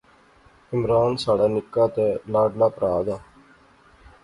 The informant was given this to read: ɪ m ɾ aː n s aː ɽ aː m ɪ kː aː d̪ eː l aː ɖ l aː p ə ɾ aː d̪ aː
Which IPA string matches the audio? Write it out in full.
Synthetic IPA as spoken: ɪ m ɾ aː n s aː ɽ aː n ɪ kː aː t̪ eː l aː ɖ l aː p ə ɾ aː d̪ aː

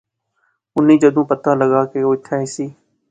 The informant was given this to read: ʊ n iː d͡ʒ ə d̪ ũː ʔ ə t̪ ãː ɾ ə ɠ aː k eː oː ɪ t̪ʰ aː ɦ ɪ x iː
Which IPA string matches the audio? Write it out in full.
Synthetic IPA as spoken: ʊ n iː d͡ʒ ə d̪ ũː p ə t̪ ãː l ə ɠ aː k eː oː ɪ t̪ʰ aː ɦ ɪ s iː

